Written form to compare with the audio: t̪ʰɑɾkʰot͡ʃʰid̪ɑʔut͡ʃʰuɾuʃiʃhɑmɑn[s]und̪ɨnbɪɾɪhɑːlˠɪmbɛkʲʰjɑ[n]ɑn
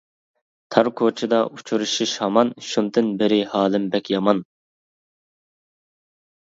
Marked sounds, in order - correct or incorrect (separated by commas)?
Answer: incorrect, incorrect